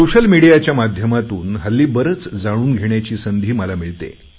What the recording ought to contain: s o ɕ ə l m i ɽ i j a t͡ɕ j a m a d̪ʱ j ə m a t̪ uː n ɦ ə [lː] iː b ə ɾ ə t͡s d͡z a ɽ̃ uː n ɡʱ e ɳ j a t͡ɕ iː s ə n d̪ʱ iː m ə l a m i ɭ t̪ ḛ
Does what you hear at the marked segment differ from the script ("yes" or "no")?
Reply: no